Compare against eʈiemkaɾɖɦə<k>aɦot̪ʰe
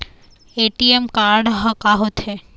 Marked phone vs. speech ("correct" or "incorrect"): correct